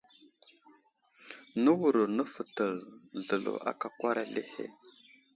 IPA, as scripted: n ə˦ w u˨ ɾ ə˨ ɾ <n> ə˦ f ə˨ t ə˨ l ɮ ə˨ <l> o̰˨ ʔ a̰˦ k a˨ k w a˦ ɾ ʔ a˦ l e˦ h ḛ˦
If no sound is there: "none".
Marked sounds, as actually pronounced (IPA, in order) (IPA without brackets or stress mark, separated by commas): n, l